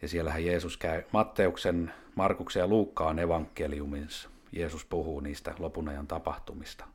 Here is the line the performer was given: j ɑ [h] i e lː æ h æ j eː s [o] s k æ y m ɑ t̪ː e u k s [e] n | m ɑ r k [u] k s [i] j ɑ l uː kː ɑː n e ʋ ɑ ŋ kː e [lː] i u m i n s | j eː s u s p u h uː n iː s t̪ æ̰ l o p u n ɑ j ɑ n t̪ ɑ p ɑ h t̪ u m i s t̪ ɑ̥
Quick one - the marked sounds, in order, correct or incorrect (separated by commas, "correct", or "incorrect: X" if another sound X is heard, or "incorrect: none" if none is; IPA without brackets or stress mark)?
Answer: incorrect: s, incorrect: u, correct, correct, incorrect: e, incorrect: l